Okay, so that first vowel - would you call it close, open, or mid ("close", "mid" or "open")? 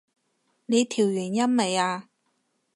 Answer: mid